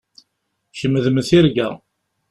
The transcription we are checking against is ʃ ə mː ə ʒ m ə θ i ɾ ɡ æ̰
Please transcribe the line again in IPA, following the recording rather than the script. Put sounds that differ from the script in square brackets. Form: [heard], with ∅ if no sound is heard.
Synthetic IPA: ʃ ə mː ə [ð] m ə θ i ɾ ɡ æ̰